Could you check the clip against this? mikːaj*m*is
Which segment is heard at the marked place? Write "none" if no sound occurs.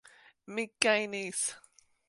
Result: n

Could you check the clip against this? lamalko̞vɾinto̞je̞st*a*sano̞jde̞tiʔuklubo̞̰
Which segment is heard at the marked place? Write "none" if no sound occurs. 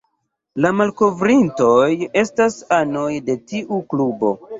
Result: a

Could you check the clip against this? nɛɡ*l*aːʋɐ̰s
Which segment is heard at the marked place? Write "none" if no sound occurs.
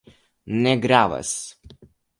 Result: ɾ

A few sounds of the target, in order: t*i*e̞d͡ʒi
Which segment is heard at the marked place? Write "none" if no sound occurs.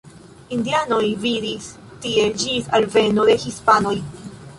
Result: i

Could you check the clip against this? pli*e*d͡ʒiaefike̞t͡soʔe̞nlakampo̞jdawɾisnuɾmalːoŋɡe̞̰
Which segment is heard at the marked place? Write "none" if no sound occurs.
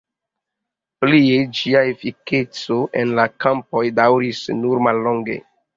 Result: e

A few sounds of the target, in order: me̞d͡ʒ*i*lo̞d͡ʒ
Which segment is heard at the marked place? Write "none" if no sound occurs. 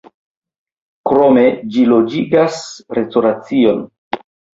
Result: i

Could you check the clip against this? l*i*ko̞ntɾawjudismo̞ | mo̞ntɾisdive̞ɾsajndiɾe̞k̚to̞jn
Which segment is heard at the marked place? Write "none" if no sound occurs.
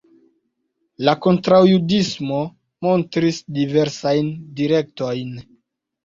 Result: a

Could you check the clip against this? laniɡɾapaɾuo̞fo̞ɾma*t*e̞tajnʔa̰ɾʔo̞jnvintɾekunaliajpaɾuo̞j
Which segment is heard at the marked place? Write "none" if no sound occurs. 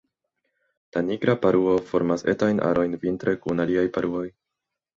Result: s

